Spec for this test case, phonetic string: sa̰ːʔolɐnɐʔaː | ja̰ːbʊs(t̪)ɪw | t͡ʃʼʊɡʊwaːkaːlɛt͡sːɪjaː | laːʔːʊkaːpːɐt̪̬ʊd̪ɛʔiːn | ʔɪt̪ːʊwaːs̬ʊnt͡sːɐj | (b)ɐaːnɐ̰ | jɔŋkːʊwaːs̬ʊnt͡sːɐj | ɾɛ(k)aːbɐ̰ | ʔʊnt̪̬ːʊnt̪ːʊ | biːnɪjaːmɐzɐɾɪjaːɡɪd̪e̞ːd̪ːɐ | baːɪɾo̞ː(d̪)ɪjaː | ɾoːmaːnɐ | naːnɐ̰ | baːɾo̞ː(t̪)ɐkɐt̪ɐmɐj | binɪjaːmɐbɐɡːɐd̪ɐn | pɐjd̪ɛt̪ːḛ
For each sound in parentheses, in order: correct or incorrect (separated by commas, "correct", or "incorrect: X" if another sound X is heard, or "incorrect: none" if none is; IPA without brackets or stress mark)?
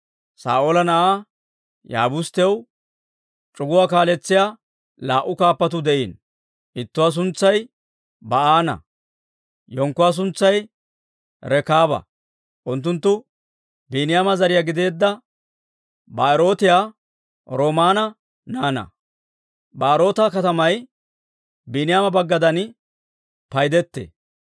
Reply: correct, correct, correct, incorrect: t̪, correct